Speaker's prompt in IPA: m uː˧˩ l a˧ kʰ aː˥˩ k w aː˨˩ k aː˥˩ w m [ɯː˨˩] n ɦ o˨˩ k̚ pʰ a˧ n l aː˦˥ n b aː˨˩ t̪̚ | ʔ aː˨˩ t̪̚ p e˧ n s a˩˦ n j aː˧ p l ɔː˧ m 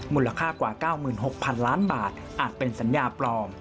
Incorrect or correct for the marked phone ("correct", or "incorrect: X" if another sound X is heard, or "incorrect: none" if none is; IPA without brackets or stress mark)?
correct